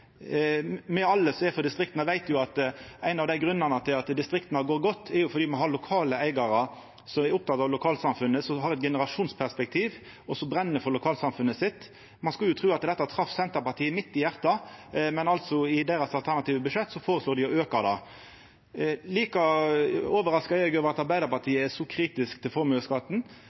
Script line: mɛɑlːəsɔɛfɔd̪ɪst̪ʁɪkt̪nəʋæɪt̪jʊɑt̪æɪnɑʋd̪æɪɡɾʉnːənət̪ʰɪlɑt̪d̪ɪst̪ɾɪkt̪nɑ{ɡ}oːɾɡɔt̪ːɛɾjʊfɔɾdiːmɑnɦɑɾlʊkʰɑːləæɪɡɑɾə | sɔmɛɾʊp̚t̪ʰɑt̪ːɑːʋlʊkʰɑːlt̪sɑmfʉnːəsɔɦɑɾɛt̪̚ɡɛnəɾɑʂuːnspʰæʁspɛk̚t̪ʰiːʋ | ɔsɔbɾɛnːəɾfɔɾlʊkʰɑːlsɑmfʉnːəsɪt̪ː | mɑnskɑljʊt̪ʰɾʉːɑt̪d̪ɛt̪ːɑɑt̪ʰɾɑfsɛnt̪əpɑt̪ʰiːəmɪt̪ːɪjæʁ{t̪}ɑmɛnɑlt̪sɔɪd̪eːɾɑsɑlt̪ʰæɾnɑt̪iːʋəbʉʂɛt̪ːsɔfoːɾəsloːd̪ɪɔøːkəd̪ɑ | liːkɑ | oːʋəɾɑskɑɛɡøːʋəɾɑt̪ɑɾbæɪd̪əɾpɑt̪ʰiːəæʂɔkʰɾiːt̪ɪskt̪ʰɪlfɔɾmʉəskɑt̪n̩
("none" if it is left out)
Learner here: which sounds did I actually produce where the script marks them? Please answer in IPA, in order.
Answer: ɡ, t̪

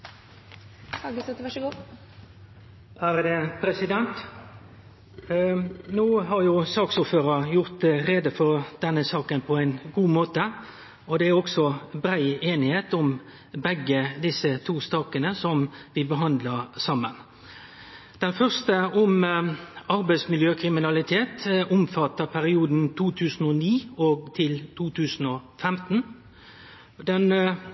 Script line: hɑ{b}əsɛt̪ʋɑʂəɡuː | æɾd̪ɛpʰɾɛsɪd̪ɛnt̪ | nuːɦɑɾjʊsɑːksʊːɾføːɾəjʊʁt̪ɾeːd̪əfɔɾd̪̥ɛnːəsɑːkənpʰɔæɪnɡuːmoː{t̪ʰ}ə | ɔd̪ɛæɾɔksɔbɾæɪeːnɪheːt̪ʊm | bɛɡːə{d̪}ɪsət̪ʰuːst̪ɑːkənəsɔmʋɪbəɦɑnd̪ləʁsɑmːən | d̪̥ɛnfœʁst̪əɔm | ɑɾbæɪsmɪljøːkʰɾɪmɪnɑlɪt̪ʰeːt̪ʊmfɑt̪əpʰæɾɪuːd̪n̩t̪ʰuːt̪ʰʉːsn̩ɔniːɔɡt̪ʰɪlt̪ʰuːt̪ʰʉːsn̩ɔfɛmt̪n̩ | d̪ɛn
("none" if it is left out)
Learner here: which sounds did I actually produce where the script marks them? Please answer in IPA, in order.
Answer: ɡ, t̪, d̪

